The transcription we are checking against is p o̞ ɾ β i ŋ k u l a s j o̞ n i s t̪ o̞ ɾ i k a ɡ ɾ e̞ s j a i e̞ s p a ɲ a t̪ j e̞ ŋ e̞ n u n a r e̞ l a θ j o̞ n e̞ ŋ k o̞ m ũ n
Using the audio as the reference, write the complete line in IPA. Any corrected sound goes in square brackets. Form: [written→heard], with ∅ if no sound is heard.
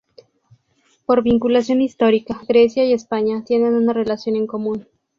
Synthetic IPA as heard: p o̞ ɾ β i ŋ k u l a s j o̞ n i s t̪ o̞ ɾ i k a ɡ ɾ e̞ s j a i e̞ s p a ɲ a t̪ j e̞ [ŋ→n] e̞ n u n a r e̞ l a [θ→s] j o̞ n e̞ ŋ k o̞ m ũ n